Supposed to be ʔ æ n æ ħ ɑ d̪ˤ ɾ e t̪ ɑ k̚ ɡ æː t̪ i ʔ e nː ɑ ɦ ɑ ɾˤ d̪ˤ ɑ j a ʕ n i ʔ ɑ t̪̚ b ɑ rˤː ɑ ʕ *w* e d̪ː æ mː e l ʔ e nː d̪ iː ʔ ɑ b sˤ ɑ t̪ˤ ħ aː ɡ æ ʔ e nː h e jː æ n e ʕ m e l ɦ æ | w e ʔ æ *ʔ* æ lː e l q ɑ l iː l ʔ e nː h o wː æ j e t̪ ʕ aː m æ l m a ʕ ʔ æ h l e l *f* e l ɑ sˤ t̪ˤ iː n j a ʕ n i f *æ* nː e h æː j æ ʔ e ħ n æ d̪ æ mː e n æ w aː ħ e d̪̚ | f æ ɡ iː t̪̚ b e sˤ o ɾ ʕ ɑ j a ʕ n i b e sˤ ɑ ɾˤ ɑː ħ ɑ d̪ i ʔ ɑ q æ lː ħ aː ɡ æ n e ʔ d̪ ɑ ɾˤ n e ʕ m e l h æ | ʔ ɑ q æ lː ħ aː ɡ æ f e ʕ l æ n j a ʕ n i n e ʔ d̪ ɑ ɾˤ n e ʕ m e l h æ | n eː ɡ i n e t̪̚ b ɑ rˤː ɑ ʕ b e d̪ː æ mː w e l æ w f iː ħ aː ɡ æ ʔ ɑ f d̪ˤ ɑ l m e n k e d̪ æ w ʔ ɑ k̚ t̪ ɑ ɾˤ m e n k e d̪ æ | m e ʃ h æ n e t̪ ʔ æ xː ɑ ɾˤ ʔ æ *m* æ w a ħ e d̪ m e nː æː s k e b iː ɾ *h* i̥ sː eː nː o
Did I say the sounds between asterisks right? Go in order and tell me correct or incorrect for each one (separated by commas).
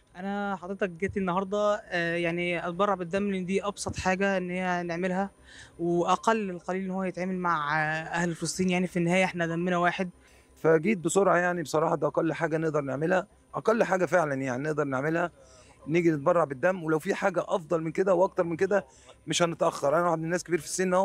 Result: incorrect, incorrect, correct, incorrect, incorrect, incorrect